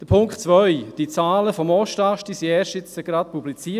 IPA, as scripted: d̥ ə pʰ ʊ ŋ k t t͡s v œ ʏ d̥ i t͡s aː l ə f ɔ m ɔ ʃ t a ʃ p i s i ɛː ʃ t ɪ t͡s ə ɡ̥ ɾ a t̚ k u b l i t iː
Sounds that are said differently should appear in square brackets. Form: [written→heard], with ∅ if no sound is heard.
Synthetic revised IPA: d̥ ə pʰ ʊ ŋ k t t͡s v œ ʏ d̥ i t͡s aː l ə f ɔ m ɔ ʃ t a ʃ [p→t] i s i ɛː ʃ t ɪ t͡s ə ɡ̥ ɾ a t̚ [k→p] u b l i [t→t͡s] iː